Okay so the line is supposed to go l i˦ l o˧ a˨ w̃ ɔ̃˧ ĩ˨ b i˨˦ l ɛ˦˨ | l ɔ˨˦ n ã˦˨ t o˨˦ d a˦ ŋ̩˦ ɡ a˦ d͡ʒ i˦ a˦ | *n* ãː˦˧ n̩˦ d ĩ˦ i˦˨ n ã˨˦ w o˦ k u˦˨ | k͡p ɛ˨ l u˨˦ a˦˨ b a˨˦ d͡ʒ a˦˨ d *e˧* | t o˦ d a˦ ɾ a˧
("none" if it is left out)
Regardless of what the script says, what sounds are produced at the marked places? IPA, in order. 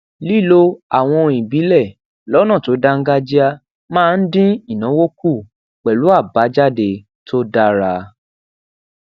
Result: m, e˧

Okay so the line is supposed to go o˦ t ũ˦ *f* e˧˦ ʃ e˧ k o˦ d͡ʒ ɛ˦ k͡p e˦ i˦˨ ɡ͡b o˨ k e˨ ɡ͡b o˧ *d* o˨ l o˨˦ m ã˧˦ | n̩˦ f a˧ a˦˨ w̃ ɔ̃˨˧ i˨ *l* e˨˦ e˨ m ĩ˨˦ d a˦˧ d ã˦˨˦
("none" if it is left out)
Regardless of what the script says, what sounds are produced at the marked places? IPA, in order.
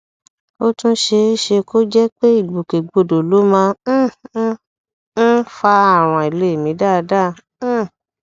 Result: ʃ, d, l

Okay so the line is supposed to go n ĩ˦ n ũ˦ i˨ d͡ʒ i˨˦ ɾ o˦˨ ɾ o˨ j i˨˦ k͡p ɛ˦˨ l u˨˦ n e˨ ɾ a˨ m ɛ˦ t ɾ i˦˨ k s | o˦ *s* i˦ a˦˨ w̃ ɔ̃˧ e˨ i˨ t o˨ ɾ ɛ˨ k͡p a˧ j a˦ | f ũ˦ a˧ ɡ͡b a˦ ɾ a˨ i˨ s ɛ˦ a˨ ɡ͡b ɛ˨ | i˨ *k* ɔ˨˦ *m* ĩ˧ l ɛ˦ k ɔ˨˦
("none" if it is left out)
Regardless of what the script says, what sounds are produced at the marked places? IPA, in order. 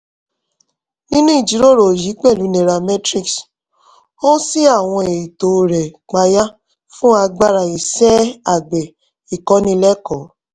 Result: s, k, n

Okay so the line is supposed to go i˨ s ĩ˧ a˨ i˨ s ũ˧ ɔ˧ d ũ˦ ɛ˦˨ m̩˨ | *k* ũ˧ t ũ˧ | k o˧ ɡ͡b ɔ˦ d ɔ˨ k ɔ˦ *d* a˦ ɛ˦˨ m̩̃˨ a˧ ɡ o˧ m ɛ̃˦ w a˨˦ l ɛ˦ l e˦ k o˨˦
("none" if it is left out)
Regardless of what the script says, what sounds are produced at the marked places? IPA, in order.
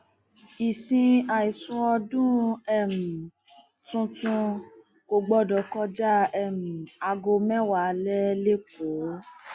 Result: t, d͡ʒ

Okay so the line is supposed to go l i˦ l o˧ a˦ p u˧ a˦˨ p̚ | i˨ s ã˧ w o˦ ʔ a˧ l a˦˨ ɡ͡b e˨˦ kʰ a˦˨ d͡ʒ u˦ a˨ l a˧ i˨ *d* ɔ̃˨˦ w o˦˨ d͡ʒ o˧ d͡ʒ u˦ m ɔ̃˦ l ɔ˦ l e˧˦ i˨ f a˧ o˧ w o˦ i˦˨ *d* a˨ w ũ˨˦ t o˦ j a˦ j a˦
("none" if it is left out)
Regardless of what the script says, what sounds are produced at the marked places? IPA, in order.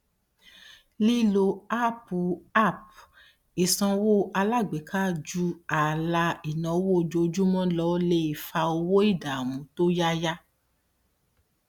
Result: n, d

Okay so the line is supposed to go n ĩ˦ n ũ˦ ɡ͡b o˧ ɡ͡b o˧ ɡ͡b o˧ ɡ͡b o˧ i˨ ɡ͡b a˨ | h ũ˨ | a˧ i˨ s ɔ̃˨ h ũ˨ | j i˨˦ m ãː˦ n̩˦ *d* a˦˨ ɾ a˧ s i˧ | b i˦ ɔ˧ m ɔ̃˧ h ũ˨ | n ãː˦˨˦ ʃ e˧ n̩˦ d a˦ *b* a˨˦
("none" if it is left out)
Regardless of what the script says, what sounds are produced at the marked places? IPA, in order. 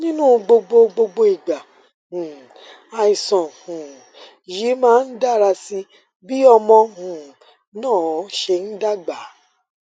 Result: d, ɡ͡b

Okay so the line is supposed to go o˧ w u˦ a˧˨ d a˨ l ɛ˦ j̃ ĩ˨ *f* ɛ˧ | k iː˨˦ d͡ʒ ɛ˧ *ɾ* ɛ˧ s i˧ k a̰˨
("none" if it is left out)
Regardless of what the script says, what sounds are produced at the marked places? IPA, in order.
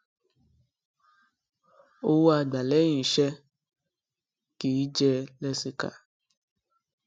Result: ʃ, l

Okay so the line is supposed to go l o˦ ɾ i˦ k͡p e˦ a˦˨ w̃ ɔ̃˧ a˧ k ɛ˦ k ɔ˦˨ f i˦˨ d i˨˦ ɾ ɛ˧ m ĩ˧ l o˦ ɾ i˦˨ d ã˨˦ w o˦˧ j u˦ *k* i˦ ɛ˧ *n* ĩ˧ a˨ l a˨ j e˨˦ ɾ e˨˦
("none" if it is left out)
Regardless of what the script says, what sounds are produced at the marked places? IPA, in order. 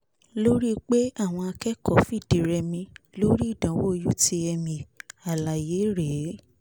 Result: t, m

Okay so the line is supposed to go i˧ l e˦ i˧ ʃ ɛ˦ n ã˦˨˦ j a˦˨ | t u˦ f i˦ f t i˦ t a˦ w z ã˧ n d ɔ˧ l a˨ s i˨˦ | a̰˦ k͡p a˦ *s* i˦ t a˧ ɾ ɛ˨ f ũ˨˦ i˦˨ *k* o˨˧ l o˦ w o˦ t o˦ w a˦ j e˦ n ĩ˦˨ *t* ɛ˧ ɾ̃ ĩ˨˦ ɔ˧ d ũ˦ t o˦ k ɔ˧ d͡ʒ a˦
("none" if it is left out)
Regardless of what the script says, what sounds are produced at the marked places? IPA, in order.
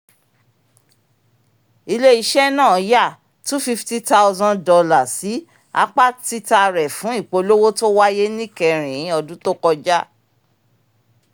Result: t, k͡p, k

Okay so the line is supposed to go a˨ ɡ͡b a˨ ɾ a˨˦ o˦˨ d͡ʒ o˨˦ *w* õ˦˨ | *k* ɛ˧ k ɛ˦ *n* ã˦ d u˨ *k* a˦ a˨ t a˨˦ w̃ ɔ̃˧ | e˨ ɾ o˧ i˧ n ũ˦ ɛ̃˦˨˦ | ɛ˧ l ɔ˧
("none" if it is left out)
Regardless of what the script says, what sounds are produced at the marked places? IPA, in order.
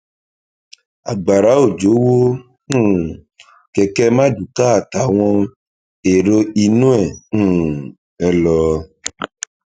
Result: w, k, m, k

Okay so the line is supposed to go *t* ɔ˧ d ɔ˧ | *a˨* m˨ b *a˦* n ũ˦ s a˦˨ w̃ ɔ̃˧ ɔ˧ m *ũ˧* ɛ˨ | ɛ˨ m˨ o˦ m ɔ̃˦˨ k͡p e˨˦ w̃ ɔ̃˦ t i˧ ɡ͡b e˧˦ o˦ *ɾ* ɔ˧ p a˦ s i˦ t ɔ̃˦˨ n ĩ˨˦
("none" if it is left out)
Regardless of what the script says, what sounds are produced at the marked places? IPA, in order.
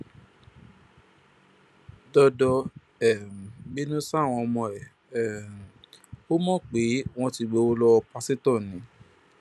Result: d, ɛ˨, i˦, ɔ̃˧, l

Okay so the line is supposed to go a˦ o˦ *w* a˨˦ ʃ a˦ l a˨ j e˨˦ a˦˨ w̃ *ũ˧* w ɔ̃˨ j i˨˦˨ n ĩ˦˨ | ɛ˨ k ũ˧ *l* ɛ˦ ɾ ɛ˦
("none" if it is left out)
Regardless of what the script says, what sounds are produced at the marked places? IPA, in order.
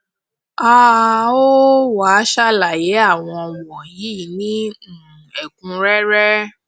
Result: w, ɔ̃˧, ɾ

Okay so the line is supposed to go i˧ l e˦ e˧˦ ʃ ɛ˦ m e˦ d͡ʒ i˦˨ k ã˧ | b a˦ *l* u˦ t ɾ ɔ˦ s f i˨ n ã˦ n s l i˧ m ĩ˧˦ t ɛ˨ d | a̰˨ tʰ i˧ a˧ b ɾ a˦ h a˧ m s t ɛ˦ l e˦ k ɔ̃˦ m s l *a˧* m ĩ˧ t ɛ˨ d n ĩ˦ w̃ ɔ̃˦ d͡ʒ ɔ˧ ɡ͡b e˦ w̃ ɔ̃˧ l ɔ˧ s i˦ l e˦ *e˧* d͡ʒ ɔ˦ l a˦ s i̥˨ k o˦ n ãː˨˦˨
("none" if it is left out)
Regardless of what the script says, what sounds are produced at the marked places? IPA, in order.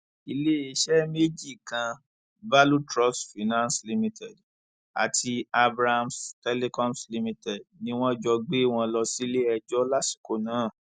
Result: l, i˧, ɛ˧

